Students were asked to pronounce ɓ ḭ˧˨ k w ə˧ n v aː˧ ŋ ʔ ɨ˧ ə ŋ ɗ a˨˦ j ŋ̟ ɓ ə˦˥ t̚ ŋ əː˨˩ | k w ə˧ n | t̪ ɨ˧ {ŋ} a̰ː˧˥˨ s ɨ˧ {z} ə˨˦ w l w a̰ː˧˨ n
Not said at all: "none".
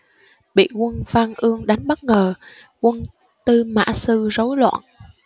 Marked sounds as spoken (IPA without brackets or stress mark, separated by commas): m, z